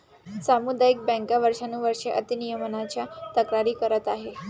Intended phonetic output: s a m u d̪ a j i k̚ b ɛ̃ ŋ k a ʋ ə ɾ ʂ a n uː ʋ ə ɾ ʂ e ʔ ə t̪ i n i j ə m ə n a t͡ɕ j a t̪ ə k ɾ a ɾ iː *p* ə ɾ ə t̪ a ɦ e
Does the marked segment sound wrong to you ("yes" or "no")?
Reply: yes